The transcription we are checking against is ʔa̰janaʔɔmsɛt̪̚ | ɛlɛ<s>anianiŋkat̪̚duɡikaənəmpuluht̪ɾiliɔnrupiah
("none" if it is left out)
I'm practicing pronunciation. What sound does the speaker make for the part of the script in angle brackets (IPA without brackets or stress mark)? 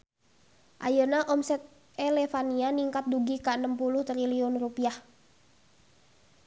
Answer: f